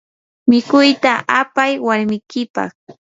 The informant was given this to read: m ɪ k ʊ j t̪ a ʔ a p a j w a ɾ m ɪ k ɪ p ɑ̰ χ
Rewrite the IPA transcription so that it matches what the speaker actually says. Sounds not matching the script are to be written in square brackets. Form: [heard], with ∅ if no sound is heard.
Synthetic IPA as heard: m ɪ k ʊ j t̪ a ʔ a p a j w a ɾ m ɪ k ɪ p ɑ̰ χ